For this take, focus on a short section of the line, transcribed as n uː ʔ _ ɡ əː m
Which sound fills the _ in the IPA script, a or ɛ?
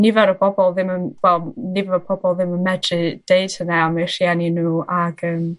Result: a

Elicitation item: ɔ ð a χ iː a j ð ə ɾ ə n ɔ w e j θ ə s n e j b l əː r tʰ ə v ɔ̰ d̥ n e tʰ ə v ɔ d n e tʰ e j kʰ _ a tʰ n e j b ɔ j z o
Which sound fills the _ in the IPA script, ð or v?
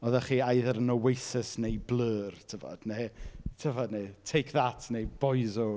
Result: ð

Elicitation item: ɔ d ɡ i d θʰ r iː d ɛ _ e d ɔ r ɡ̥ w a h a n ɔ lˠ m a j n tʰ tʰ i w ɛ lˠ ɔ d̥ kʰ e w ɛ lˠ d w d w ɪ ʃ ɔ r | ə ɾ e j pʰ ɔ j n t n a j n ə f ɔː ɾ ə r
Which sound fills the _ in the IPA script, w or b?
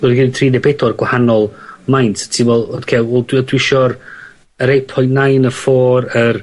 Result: b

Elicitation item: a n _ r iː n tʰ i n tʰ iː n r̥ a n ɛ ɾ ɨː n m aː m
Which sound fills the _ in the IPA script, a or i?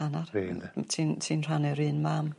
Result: a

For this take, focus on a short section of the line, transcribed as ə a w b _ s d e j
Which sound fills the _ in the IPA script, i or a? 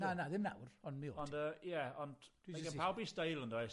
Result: i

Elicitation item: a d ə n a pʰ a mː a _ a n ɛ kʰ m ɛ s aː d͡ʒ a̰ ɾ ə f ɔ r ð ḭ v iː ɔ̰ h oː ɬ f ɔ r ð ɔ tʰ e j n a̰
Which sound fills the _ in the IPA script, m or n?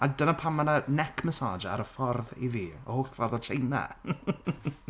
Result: n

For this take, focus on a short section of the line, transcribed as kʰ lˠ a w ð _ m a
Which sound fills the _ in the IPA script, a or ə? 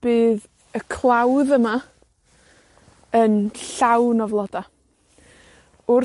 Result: ə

